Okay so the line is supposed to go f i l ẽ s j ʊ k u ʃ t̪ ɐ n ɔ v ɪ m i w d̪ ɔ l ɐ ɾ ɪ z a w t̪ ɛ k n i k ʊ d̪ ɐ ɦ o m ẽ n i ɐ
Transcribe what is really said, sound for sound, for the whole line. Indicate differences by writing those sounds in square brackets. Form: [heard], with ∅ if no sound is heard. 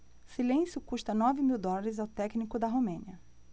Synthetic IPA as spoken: [s] i l ẽ s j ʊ k u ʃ t̪ ɐ n ɔ v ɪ m i w d̪ ɔ l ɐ ɾ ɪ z a w t̪ ɛ k n i k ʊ d̪ ɐ ɦ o m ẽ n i ɐ

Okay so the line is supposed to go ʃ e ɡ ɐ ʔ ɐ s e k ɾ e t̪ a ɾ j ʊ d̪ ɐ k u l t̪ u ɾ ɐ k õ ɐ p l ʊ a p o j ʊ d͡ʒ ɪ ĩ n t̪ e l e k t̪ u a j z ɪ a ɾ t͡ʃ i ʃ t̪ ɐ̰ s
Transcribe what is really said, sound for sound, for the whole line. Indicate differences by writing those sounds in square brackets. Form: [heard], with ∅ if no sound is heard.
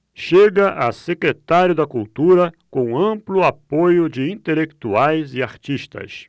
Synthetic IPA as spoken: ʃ e ɡ ɐ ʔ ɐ s e k ɾ e t̪ a ɾ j ʊ d̪ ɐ k u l t̪ u ɾ ɐ k õ [ɐ̃] p l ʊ a p o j ʊ d͡ʒ ɪ ĩ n t̪ e l e k t̪ u a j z ɪ a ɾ t͡ʃ i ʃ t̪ ɐ̰ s

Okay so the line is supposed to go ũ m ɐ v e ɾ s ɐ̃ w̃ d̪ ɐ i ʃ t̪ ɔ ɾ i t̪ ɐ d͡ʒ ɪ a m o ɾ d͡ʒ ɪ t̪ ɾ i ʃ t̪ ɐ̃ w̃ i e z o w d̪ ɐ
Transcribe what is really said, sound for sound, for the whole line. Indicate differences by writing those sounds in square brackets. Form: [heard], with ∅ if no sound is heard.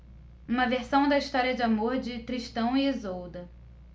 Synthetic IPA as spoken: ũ m ɐ v e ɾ s ɐ̃ w̃ d̪ ɐ i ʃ t̪ ɔ ɾ i [∅] ɐ d͡ʒ ɪ a m o ɾ d͡ʒ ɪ t̪ ɾ i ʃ t̪ ɐ̃ w̃ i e z o w d̪ ɐ

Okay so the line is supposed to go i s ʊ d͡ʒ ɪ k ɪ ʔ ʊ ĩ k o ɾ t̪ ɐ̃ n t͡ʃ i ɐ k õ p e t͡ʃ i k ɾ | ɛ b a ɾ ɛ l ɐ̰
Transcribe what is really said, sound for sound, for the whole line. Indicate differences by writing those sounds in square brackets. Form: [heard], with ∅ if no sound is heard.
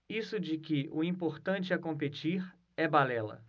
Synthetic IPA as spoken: i s ʊ d͡ʒ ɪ k ɪ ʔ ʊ ĩ [p] o ɾ t̪ ɐ̃ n t͡ʃ [ɪ] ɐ k õ p e t͡ʃ i [∅] ɾ | ɛ b a [l] ɛ l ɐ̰

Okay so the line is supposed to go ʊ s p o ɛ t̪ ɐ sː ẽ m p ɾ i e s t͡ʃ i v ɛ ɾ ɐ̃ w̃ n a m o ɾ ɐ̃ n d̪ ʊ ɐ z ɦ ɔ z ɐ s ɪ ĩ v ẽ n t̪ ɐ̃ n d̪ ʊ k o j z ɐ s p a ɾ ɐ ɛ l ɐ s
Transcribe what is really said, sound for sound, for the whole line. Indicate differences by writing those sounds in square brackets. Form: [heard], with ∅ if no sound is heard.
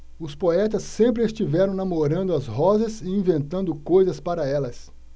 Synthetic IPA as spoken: ʊ s p o ɛ t̪ ɐ sː ẽ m p ɾ [ɪ] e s t͡ʃ i v ɛ ɾ ɐ̃ w̃ n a m o ɾ ɐ̃ n d̪ ʊ ɐ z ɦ ɔ z ɐ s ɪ ĩ v ẽ n t̪ ɐ̃ n d̪ ʊ k o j z ɐ s p a ɾ ɐ ɛ l ɐ s

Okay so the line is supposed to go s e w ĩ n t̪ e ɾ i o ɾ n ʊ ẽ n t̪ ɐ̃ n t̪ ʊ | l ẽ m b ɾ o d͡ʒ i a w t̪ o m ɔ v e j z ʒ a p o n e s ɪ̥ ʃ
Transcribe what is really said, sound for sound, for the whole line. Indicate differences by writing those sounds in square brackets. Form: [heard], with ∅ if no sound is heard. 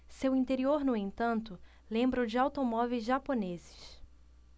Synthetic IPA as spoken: s e w ĩ n t̪ e ɾ i o ɾ n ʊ ẽ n t̪ ɐ̃ n t̪ ʊ | l ẽ m b ɾ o d͡ʒ [ɪ] a w t̪ o m ɔ v e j z ʒ a p o n e [z] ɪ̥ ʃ

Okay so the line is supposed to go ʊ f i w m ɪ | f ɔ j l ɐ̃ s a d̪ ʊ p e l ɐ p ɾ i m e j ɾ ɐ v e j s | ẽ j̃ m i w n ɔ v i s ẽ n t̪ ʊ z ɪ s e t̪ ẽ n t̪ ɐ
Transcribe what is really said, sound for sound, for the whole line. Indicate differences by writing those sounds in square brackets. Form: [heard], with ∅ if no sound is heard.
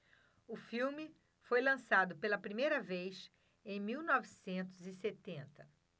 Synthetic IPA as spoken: ʊ f i w m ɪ | f [o] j l ɐ̃ s a d̪ ʊ p e l ɐ p ɾ i m e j ɾ ɐ v e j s | ẽ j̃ m i w n ɔ v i s ẽ n t̪ ʊ z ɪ s e t̪ ẽ n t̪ ɐ

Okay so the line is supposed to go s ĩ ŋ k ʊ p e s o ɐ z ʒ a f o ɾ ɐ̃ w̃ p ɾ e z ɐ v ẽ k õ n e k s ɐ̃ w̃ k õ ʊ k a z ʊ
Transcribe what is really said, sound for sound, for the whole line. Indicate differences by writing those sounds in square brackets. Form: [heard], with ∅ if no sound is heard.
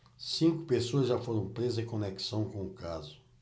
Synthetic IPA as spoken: s ĩ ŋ k ʊ p e s o ɐ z ʒ a f o ɾ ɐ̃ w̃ p ɾ e z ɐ [z] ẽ k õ n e k s ɐ̃ w̃ k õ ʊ k a z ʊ

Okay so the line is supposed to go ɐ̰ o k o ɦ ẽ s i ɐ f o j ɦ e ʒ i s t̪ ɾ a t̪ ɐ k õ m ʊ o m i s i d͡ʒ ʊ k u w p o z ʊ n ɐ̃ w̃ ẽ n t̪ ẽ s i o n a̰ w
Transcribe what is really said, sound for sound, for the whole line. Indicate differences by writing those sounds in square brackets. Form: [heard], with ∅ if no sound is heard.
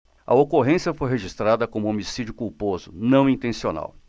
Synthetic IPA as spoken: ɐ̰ o k o ɦ ẽ s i ɐ f o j ɦ e ʒ i s t̪ ɾ a [d̪] ɐ k õ m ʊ o m i s i d͡ʒ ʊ k u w p o z ʊ n ɐ̃ w̃ [ĩ] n t̪ ẽ s i o n a̰ w

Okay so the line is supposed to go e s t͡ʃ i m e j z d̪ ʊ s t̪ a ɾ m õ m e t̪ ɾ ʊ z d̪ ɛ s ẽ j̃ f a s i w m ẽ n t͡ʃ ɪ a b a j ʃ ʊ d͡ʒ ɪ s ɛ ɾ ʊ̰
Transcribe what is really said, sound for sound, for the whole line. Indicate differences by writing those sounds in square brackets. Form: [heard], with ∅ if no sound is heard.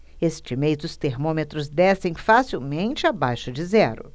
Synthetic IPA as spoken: e s t͡ʃ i m e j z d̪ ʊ s t̪ [e] ɾ m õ m e t̪ ɾ ʊ z d̪ ɛ s ẽ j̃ f a s i w m ẽ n t͡ʃ ɪ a b a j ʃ ʊ d͡ʒ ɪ [z] ɛ ɾ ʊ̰

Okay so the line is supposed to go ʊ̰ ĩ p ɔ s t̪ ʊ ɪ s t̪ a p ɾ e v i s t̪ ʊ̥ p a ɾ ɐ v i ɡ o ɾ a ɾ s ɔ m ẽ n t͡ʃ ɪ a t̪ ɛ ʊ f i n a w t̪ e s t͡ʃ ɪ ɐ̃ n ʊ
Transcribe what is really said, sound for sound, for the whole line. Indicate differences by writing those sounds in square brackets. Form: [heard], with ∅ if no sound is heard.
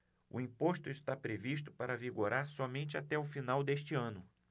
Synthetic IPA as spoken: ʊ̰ ĩ p [o] s t̪ ʊ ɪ s t̪ a p ɾ e v i s t̪ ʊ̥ p a ɾ ɐ v i ɡ o ɾ a ɾ s ɔ m ẽ n t͡ʃ ɪ a t̪ ɛ ʊ f i n a w [d̪] e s t͡ʃ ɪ ɐ̃ n ʊ

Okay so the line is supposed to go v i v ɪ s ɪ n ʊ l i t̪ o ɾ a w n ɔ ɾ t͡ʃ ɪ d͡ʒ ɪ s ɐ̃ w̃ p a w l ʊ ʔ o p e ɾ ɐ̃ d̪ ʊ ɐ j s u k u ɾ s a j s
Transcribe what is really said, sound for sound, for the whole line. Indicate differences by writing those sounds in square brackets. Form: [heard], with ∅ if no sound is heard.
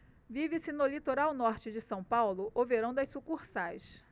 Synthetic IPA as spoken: v i v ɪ s ɪ n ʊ l i t̪ o ɾ a w n ɔ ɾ t͡ʃ ɪ d͡ʒ ɪ s ɐ̃ w̃ p a w l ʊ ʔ o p e ɾ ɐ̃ d̪ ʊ ɐ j s u k u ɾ s a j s

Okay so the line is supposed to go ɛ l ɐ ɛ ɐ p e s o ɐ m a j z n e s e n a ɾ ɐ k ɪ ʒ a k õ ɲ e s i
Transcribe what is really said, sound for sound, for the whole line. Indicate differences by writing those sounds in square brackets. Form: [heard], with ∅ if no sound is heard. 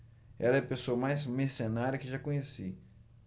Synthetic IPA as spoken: ɛ l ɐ ɛ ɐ p e s o ɐ m a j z [m] e s e n a ɾ ɐ k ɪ ʒ a k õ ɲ e s i

